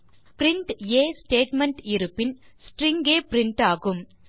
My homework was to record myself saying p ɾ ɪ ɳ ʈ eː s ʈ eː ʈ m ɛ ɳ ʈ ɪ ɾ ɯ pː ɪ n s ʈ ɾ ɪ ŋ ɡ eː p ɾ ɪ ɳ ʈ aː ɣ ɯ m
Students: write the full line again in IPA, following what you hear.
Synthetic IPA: p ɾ ɪ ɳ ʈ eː s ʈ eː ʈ m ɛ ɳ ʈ ɪ ɾ ɯ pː ɪ n s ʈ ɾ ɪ ŋ ɡ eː p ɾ ɪ ɳ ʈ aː ɣ ɯ m